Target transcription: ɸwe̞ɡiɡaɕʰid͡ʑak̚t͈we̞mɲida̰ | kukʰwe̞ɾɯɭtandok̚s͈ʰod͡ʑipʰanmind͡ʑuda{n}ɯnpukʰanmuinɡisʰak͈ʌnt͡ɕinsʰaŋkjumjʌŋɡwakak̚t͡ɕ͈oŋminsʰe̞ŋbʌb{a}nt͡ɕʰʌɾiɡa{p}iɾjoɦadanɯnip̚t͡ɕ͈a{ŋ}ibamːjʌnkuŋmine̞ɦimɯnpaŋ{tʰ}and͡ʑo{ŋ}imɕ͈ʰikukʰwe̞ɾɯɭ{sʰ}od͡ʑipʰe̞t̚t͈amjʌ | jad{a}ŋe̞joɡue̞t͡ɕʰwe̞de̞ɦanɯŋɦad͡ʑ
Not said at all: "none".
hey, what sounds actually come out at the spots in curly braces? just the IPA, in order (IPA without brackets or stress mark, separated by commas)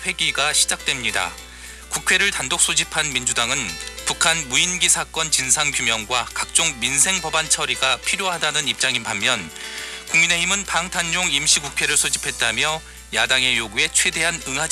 ŋ, a, pʰ, ŋ, tʰ, ŋ, sʰ, a